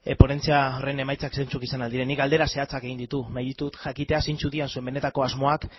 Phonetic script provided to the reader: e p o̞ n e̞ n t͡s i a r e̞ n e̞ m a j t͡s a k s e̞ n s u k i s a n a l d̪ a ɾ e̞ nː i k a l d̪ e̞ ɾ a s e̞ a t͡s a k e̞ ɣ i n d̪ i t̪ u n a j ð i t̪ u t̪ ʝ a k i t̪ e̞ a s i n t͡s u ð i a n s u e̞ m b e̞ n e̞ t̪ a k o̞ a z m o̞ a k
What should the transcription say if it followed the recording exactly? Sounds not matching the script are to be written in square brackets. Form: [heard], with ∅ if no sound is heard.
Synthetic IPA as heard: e p o̞ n e̞ n t͡s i a r e̞ n e̞ m a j t͡s a k s e̞ n [t͡s] u k i s a n a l d̪ [i] ɾ e̞ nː i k a l d̪ e̞ ɾ a s e̞ a t͡s a k e̞ ɣ i n d̪ i t̪ u n a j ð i t̪ u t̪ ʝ a k i t̪ e̞ a s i n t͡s u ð i a n s u e̞ m b e̞ n e̞ t̪ a k o̞ a z m o̞ a k